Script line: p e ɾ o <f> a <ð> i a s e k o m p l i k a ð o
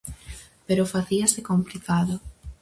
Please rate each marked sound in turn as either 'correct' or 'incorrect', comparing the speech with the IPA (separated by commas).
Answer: correct, incorrect